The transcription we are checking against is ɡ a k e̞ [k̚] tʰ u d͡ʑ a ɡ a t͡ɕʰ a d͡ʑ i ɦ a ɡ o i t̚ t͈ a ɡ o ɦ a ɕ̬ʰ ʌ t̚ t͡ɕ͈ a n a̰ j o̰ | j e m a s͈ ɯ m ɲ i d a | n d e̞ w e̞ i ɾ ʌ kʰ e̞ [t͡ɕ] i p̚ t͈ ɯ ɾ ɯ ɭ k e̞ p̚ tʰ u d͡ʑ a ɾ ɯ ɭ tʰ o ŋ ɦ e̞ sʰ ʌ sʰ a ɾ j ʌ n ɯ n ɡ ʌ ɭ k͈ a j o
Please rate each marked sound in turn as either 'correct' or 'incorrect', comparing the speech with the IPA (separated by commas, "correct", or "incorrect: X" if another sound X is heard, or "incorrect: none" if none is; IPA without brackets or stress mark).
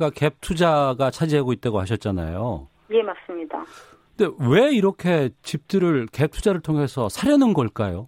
incorrect: p̚, correct